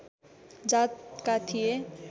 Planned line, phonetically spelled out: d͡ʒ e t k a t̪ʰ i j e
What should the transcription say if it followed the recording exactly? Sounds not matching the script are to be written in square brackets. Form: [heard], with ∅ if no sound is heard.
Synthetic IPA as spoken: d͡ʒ [a] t k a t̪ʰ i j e